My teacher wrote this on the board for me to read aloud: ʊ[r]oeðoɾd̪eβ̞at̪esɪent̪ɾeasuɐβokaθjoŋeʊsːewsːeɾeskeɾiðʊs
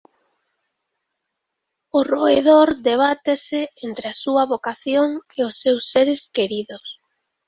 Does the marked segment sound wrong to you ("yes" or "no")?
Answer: no